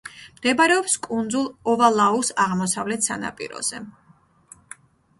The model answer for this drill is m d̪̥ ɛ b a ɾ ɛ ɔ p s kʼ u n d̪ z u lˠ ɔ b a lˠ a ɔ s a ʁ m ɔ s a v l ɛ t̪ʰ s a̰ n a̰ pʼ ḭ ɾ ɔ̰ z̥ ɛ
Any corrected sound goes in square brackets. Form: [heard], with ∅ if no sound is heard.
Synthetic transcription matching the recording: m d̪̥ ɛ b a ɾ ɛ ɔ p s kʼ u n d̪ z u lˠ ɔ [v] a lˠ a [u] s a ʁ m ɔ s a v l ɛ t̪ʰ s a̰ n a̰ pʼ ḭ ɾ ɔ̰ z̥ ɛ